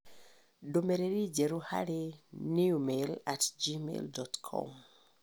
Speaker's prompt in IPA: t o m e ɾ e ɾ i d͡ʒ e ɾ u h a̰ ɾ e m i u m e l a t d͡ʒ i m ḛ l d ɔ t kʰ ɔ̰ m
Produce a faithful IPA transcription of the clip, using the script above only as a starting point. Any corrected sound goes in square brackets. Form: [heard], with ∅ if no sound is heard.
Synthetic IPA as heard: [d] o m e ɾ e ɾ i d͡ʒ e ɾ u h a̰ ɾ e [n] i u m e l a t d͡ʒ i m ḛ l d ɔ t kʰ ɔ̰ m